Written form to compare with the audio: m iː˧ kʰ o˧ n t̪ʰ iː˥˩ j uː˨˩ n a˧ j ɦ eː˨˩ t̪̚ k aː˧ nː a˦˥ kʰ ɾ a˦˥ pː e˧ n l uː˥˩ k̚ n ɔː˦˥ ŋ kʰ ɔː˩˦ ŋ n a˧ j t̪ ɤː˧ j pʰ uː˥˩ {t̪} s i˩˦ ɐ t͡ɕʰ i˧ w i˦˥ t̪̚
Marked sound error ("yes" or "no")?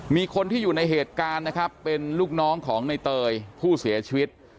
yes